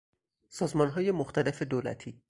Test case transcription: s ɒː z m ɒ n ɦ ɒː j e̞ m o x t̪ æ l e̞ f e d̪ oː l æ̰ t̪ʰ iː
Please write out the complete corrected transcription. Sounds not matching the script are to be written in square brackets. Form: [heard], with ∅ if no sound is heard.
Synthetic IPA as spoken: s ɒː z m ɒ n ɦ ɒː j e̞ m o x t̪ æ l e̞ f e d̪ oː l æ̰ t̪ʰ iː

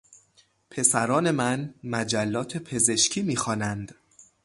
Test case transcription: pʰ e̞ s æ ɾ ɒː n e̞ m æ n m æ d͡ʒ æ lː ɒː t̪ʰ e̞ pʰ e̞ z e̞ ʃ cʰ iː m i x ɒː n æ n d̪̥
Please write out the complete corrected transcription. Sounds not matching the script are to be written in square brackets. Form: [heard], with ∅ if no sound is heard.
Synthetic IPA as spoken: pʰ e̞ s æ ɾ ɒː n e̞ m æ n m æ d͡ʒ æ lː ɒː t̪ʰ e̞ pʰ e̞ z e̞ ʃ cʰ iː m [iː] x ɒː n æ n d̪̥

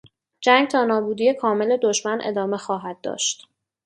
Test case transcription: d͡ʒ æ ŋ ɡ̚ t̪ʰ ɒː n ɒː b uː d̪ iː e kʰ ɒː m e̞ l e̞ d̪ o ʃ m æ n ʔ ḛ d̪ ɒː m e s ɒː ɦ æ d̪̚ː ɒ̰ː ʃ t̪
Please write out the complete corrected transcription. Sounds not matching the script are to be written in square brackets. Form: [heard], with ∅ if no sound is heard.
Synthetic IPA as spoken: d͡ʒ æ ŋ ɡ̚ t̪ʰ ɒː n ɒː b uː d̪ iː e kʰ ɒː m e̞ l e̞ d̪ o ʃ m æ n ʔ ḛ d̪ ɒː m e [x] ɒː ɦ æ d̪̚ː ɒ̰ː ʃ t̪

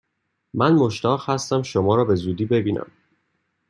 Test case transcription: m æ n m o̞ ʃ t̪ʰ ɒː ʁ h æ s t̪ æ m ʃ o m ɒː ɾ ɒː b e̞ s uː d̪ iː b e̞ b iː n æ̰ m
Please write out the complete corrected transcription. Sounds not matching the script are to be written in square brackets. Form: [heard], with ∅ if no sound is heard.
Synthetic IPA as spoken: m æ n m o̞ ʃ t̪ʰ ɒː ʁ h æ s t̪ æ m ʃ o m ɒː ɾ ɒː b e̞ [z] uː d̪ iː b e̞ b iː n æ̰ m

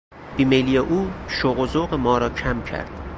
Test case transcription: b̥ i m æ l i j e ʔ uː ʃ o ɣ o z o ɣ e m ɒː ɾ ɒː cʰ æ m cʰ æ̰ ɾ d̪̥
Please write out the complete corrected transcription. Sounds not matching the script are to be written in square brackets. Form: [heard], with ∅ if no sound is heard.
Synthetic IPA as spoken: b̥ i m [e] l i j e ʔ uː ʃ o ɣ o z o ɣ e m ɒː ɾ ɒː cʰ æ m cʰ æ̰ ɾ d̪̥

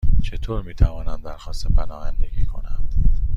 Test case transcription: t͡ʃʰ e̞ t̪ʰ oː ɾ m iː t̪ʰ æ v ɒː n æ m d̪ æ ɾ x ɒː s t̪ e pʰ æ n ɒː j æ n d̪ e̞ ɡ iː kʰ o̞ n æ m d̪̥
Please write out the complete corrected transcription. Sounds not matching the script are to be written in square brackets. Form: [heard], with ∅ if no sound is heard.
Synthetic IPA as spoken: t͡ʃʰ e̞ t̪ʰ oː ɾ m iː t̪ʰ æ v ɒː n æ [n] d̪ æ ɾ x ɒː s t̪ e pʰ æ n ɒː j æ n d̪ e̞ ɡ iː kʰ o̞ n æ [n] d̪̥

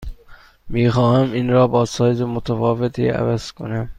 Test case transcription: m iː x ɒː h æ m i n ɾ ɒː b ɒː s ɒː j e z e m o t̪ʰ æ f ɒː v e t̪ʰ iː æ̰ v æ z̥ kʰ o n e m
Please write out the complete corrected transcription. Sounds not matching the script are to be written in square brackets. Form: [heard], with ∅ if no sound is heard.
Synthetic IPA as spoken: m iː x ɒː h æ m i n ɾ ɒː b ɒː s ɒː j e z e m o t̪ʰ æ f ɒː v e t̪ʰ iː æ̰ v æ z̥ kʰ o n [æ] m

